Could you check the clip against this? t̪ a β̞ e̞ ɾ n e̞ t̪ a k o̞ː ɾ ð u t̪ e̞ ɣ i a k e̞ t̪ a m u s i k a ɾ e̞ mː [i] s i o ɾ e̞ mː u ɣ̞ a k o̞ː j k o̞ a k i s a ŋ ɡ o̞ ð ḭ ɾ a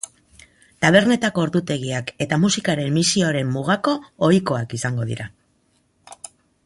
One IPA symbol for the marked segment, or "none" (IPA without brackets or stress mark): i